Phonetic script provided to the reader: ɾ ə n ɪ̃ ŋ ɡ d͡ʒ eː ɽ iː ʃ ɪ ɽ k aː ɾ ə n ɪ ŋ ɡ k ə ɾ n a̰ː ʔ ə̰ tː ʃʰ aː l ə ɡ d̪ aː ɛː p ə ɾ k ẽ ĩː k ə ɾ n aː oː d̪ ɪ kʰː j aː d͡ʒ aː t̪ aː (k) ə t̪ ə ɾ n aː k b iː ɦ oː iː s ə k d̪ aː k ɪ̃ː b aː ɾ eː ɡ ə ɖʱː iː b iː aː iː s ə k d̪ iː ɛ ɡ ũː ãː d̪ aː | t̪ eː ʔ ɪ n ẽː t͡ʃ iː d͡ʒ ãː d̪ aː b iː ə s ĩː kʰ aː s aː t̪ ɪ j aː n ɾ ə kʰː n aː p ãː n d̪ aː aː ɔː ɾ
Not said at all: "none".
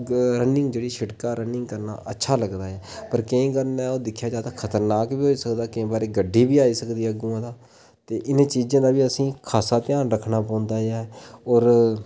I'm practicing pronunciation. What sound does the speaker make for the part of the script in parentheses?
kʰ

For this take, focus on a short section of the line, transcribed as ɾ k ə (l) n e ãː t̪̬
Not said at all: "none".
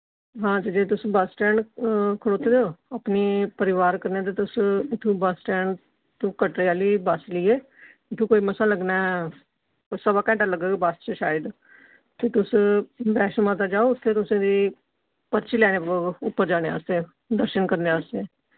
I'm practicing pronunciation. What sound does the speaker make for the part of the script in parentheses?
ɾ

